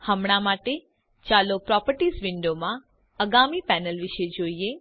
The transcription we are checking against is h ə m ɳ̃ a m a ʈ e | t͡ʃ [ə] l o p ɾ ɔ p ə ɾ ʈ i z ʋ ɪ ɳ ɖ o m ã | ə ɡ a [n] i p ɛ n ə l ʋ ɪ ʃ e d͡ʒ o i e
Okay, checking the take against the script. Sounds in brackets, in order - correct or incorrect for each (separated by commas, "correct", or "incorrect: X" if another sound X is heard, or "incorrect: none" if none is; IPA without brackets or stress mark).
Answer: incorrect: a, incorrect: m